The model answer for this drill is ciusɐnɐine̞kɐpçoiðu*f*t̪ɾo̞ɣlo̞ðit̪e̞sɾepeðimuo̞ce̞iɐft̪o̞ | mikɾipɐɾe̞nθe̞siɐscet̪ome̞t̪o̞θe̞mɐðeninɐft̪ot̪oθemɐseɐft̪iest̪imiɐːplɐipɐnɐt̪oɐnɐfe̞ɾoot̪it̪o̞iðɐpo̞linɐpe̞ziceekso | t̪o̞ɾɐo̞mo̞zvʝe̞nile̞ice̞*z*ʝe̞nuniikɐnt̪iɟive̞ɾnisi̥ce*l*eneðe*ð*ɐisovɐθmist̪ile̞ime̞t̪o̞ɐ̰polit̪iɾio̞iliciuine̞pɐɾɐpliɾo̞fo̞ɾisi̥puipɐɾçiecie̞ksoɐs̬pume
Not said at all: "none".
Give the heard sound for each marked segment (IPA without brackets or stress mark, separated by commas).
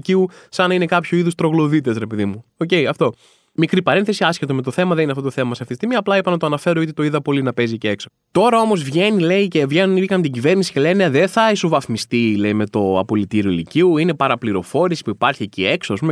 s, v, l, θ